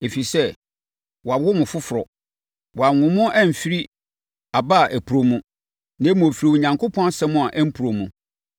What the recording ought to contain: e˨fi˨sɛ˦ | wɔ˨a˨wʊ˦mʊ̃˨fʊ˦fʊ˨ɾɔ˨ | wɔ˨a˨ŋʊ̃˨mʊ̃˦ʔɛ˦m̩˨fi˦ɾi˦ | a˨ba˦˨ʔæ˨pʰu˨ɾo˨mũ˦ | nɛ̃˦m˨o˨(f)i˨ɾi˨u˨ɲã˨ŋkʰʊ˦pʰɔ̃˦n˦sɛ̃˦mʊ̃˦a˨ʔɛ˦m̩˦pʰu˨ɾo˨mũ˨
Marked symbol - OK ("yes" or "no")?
yes